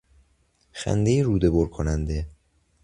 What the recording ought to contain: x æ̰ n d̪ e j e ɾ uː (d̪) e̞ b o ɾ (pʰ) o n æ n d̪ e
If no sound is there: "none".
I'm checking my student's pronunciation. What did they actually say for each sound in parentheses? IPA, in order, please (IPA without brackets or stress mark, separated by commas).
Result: d̪, kʰ